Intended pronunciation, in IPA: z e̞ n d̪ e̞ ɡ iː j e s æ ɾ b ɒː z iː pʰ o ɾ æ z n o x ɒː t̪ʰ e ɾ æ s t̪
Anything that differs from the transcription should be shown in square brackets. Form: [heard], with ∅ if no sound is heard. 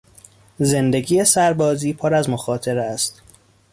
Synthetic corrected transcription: z e̞ n d̪ e̞ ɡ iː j e s æ ɾ b ɒː z iː pʰ o ɾ æ z [m] o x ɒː t̪ʰ e ɾ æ s t̪